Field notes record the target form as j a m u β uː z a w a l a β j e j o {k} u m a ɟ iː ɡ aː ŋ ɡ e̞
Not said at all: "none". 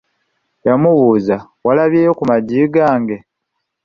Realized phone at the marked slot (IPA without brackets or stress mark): k